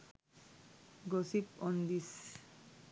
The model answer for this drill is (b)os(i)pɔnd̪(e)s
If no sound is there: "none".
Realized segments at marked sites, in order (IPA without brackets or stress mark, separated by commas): ɡ, i, i